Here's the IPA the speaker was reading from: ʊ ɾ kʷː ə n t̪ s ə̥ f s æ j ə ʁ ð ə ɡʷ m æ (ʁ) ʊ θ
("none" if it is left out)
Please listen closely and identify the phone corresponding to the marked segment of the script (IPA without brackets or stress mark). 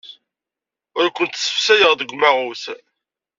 ʁ